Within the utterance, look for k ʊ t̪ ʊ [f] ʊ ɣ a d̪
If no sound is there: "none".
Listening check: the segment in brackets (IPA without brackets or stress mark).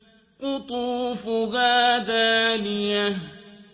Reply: f